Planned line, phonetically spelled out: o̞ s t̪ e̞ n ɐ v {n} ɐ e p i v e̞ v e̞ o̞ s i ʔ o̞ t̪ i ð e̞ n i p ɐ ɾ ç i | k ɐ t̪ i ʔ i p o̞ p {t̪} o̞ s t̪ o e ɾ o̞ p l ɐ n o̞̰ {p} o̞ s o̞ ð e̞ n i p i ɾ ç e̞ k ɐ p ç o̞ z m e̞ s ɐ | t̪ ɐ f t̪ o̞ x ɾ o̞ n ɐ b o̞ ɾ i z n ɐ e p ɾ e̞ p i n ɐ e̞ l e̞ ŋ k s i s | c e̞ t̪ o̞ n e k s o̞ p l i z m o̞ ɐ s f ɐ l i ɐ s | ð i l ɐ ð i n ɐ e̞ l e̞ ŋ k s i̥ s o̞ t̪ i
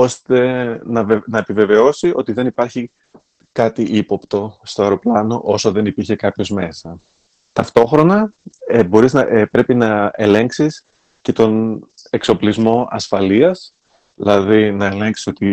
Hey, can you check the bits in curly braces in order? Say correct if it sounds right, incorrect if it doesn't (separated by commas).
correct, correct, incorrect